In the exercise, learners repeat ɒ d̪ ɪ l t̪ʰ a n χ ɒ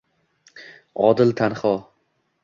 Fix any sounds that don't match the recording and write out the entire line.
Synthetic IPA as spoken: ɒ d̪ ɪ l t̪ʰ a n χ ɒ